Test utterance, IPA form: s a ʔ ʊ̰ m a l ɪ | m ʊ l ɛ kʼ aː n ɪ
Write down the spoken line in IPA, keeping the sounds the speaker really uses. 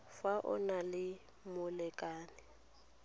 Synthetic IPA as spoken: f a ʔ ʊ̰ n a l ɪ | m ʊ l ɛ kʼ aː n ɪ